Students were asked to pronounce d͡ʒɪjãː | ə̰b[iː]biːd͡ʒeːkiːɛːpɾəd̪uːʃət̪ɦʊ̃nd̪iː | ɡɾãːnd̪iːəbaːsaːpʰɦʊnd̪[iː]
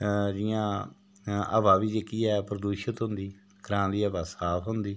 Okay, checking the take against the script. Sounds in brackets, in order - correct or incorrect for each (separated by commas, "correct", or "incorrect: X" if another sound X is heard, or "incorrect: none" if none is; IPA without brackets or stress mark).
incorrect: aː, correct